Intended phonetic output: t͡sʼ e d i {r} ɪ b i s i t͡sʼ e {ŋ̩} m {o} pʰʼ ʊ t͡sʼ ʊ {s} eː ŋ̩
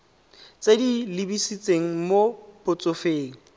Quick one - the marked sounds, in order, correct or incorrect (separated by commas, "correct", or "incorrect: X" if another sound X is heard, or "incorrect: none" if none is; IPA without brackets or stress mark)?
incorrect: l, correct, correct, incorrect: f